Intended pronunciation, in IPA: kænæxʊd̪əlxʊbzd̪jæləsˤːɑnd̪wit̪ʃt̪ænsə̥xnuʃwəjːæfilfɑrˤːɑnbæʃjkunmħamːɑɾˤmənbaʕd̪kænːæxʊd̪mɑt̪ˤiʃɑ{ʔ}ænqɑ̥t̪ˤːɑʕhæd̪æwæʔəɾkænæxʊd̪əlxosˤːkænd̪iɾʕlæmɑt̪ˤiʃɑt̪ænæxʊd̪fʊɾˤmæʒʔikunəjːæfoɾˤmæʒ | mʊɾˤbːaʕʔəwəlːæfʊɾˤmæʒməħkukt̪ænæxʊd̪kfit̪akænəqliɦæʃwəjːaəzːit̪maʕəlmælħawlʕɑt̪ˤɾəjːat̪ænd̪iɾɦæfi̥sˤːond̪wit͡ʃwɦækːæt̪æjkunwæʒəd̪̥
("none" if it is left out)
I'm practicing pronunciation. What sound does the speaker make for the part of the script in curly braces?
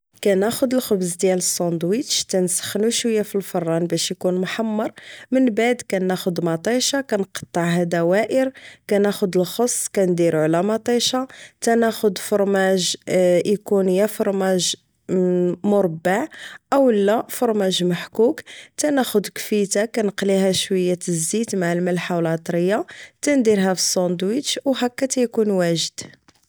k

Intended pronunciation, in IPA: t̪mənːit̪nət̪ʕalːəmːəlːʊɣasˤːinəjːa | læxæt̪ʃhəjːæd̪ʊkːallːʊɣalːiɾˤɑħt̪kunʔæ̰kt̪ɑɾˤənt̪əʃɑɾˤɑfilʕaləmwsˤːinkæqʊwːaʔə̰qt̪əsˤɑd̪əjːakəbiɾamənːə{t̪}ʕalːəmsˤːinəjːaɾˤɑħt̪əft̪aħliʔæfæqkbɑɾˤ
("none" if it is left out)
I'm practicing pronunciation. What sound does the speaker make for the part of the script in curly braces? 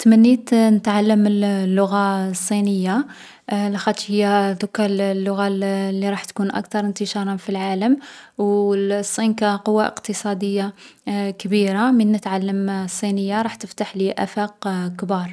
t̪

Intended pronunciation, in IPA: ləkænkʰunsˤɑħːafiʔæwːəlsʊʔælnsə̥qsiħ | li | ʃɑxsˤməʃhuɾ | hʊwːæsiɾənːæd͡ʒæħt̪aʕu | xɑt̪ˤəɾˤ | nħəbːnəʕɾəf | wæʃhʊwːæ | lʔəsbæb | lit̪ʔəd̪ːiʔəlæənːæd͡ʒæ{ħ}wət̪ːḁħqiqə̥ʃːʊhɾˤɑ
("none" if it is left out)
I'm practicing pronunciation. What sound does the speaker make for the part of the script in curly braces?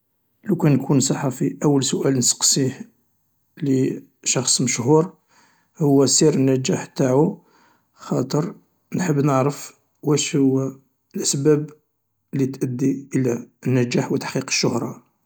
ħ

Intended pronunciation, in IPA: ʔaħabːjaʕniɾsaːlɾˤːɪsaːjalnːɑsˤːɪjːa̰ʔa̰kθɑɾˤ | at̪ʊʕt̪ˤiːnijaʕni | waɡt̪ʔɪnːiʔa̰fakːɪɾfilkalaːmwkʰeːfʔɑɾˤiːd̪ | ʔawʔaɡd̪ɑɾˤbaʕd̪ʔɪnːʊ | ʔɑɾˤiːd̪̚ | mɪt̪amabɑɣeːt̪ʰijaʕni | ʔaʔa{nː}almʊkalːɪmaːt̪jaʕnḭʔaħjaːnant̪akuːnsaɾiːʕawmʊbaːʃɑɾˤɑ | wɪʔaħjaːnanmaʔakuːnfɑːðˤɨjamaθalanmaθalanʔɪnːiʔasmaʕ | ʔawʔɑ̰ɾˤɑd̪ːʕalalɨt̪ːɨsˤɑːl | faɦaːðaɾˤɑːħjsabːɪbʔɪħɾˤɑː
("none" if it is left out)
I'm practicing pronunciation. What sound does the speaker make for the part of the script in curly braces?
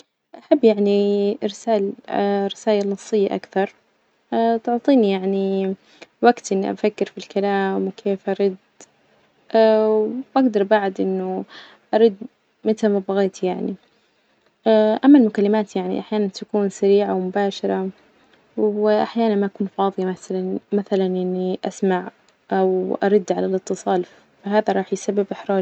mː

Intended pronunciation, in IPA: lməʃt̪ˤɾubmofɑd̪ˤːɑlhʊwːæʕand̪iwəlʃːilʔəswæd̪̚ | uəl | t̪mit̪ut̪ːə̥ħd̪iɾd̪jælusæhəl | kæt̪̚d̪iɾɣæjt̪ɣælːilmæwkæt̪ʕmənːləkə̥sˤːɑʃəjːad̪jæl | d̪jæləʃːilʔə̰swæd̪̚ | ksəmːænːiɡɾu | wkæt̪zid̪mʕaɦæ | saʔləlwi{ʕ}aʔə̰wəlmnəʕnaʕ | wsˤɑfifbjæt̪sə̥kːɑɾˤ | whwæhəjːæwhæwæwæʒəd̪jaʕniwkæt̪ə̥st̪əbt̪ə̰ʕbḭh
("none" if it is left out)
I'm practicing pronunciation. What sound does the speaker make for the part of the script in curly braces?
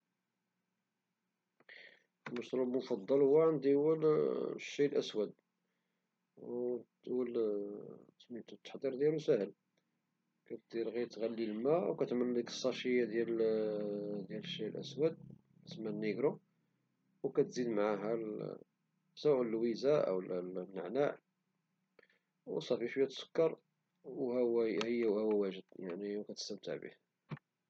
z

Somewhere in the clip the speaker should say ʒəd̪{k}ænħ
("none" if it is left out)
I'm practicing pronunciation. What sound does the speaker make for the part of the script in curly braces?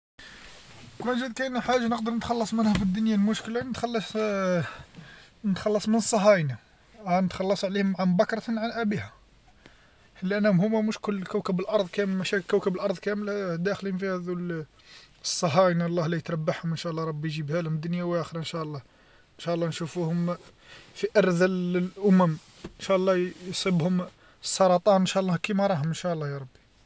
k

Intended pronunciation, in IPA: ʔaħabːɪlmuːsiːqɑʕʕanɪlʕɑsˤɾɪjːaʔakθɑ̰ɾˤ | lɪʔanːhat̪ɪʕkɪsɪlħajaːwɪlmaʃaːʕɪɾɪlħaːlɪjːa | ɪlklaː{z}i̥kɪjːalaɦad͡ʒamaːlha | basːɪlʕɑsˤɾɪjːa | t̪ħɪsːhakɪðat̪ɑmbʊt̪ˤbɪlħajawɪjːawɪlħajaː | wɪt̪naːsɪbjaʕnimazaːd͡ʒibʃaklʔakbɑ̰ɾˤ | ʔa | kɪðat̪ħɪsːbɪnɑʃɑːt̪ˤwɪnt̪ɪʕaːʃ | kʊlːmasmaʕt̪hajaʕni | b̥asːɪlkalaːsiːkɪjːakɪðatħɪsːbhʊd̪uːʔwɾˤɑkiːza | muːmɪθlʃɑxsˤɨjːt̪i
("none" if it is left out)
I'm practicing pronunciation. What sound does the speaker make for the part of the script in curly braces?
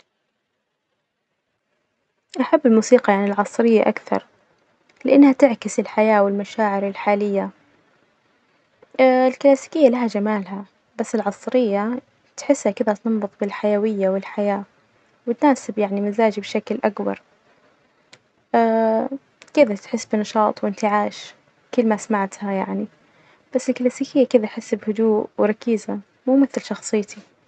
s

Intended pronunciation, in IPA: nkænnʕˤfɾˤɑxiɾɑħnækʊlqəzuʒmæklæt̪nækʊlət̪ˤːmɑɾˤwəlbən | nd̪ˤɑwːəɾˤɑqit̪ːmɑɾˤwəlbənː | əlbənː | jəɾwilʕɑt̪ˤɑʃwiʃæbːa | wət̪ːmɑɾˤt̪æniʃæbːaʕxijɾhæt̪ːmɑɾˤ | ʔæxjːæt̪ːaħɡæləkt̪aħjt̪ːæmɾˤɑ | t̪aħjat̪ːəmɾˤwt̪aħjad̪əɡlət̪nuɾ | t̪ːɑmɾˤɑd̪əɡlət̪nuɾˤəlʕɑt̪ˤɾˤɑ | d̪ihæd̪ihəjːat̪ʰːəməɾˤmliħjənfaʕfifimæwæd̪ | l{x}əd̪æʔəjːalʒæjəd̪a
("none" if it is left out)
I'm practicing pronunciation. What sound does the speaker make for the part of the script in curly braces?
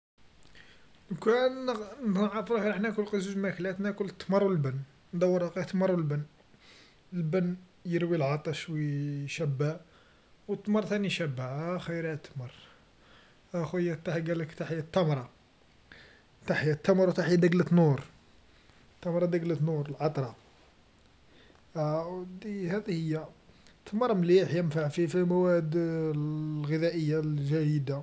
ɣ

